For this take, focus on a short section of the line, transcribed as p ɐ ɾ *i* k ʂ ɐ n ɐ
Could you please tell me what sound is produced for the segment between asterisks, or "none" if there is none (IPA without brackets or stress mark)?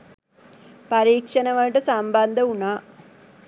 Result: iː